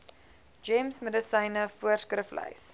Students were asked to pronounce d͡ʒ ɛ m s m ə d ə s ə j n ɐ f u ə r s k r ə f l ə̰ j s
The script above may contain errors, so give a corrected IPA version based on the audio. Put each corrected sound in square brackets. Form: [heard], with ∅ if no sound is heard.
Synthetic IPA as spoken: d͡ʒ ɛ m s m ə d ə s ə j n [ə] f u ə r s k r ə f l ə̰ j s